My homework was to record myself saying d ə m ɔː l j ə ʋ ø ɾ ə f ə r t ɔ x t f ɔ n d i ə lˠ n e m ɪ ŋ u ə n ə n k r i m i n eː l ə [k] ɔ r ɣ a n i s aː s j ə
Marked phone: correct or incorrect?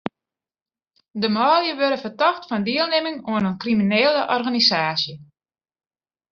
incorrect